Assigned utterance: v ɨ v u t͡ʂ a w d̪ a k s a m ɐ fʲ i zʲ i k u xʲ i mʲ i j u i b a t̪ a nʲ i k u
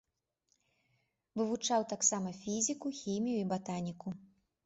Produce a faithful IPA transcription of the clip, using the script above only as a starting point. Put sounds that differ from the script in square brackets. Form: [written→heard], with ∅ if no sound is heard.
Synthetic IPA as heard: v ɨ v u t͡ʂ a w [d̪→t̪] a k s a m ɐ fʲ i zʲ i k u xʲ i mʲ i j u i b a t̪ a nʲ i k u